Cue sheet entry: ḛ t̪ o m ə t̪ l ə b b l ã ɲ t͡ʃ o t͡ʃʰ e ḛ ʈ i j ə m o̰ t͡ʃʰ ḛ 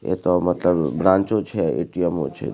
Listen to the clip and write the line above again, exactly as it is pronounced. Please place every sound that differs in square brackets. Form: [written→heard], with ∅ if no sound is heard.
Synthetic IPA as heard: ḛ t̪ o m ə t̪ l ə b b [l→ɾ] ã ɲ t͡ʃ o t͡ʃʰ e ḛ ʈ i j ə m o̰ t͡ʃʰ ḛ